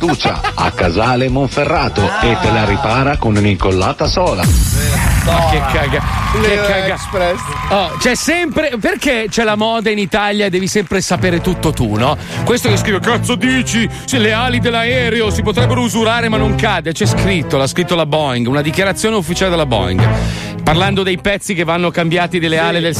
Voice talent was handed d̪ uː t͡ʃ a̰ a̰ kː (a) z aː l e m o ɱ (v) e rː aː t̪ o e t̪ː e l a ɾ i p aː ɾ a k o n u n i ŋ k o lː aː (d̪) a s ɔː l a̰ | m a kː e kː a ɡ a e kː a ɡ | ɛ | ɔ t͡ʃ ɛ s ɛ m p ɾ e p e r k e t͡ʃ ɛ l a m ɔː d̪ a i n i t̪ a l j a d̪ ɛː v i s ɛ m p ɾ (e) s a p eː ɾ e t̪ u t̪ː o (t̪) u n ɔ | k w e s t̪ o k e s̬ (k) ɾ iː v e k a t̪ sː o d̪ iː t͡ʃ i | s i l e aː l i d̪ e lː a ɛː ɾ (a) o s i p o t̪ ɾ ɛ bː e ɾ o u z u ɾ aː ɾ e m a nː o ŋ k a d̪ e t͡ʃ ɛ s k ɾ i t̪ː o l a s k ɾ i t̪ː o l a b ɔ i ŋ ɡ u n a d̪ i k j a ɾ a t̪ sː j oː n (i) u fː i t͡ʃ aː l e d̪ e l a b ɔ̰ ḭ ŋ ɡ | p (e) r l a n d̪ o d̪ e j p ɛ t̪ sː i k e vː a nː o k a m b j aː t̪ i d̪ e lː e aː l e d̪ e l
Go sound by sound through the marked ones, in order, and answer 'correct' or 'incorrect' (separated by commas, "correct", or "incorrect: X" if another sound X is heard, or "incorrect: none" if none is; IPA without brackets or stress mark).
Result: correct, incorrect: f, incorrect: t̪, correct, correct, correct, incorrect: e, incorrect: e, incorrect: a